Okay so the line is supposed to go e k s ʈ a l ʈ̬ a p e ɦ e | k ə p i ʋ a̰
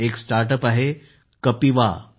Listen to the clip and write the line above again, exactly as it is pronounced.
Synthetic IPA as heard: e k s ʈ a ɾ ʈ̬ ə p a ɦ e | k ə p i ʋ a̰